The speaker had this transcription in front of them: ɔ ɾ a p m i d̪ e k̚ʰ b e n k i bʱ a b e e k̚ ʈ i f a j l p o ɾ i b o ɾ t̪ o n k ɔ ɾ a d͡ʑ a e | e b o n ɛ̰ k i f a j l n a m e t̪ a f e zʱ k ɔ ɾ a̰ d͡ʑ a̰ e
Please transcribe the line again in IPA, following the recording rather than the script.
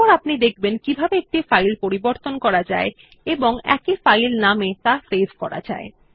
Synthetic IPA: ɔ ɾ a p n i d̪ e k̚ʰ b e n k i bʱ a b e e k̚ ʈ i f a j l p o ɾ i b o ɾ t̪ o n k ɔ ɾ a d͡ʑ a e | e b o ŋ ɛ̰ k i f a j l n a m e t̪ a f e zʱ k ɔ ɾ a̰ d͡ʑ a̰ e

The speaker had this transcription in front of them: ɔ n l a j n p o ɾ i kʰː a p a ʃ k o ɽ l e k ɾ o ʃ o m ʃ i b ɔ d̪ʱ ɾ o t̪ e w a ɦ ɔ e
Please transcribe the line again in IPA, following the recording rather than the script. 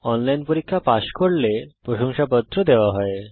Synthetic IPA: ɔ n l a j n p o ɾ i kʰː a p a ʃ k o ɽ l e p ɾ o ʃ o ŋ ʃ a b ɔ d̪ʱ ɾ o d̪ e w a ɦ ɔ e

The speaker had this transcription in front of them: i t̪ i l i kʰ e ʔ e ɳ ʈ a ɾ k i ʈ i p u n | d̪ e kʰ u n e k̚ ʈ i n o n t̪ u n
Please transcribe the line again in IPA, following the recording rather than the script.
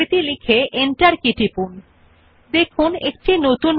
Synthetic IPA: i t̪ i l i kʰ e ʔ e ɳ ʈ a ɾ k i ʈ i p u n | d̪ e kʰ u n e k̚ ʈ i n o t̪ u n

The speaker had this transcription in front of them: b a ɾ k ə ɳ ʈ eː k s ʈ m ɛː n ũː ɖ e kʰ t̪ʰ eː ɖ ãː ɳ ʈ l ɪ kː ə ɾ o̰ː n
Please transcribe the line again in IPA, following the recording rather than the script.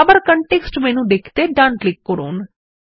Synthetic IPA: b ə ɾ k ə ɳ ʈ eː k s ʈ m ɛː n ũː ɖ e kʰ t̪ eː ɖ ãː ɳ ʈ l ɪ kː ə ɾ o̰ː n

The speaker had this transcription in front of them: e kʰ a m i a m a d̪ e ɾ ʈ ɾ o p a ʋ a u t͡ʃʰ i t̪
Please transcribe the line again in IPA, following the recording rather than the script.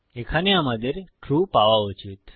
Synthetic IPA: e kʰ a n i a m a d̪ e ɾ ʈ ɾ u p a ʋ a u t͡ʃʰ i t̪

